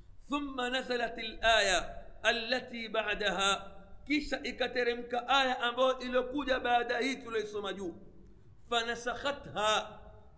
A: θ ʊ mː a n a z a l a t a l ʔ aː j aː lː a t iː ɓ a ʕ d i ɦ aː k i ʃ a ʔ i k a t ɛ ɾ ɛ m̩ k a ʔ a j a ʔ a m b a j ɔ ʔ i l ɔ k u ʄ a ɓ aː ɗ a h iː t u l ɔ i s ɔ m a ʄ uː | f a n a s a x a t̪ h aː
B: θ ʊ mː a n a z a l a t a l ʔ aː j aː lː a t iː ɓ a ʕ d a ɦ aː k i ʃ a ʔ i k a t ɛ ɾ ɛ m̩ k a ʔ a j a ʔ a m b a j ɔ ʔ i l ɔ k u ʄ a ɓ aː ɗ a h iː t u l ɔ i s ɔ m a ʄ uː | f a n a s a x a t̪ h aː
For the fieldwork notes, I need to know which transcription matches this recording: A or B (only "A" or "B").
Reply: B